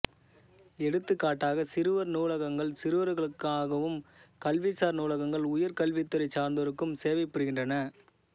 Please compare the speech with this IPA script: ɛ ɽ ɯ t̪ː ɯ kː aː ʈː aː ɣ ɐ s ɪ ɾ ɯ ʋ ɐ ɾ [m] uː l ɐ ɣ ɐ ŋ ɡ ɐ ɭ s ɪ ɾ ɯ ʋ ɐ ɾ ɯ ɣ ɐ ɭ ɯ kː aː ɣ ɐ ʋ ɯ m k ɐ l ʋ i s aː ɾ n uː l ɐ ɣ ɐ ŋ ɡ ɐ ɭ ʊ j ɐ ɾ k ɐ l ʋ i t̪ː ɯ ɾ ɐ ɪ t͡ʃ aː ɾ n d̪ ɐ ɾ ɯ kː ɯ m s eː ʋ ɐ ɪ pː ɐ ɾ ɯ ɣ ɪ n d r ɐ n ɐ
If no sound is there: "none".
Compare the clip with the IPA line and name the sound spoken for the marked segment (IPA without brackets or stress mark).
n